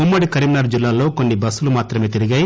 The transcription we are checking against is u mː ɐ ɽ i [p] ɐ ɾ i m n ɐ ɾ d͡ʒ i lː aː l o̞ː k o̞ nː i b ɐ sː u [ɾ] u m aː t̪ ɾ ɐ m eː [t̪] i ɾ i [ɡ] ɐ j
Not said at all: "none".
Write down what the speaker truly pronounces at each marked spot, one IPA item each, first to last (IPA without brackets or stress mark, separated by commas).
k, l, t̪, ɡ